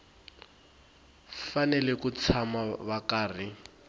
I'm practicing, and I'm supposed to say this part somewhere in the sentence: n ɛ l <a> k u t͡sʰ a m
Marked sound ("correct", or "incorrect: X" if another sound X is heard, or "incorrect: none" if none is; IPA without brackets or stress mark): incorrect: ɛ